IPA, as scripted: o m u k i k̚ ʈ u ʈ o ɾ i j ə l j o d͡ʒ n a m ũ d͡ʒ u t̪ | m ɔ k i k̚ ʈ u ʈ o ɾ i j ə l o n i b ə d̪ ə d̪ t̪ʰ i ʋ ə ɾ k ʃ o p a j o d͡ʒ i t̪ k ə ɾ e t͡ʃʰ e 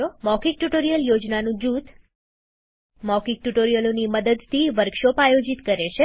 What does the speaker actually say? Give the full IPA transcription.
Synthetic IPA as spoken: o m ɔ k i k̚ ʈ u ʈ o ɾ i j ə l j o d͡ʒ n a n ũ d͡ʒ u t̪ | m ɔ k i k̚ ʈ u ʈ o ɾ i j ə l o n i m ə d̪ ə d̪ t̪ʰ i ʋ ə ɾ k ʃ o p a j o d͡ʒ i t̪ k ə ɾ e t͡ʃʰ e